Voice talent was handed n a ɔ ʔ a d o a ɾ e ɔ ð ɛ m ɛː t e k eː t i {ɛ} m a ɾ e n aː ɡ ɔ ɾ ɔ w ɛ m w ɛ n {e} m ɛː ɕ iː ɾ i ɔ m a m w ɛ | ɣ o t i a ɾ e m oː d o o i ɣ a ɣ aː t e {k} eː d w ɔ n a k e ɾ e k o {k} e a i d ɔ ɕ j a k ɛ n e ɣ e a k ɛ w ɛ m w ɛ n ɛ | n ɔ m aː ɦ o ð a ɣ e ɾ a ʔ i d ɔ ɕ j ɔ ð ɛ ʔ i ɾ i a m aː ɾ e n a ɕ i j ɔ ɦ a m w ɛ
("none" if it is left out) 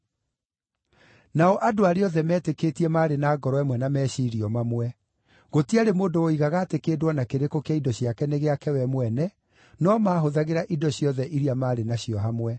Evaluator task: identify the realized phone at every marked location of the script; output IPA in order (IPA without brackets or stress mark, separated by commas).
ɛ, a, k, k